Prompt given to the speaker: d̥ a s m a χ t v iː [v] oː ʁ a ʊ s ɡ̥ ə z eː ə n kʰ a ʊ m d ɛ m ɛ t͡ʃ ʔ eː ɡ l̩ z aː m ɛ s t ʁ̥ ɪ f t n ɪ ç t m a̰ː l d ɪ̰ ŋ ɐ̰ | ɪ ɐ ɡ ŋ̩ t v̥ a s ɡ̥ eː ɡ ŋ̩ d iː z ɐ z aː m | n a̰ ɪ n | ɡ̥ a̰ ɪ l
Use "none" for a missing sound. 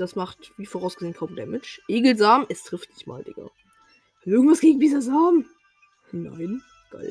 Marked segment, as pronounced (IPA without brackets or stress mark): f